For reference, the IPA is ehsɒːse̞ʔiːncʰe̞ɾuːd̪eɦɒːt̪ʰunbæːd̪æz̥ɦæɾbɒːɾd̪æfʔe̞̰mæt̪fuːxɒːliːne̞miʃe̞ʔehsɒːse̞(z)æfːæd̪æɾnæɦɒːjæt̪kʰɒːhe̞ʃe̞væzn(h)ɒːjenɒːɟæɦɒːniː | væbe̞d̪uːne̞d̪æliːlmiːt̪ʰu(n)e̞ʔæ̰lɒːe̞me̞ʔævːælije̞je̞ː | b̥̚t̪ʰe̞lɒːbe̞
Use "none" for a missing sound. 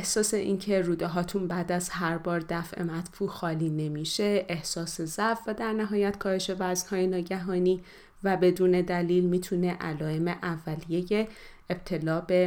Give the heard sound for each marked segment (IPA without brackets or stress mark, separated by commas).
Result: z, h, n